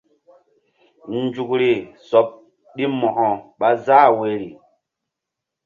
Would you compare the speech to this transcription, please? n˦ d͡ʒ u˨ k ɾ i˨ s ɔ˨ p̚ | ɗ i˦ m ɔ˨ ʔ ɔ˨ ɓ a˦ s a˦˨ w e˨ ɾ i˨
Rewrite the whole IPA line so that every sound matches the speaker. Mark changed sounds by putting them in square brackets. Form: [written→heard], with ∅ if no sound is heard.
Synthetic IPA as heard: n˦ d͡ʒ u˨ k ɾ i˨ s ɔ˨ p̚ | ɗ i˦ m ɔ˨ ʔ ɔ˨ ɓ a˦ [s→z] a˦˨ w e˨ ɾ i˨